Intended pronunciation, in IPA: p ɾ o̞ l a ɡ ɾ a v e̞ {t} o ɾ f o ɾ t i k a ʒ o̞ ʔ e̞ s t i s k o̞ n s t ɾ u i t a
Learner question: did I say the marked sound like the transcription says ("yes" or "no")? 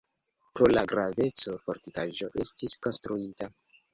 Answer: no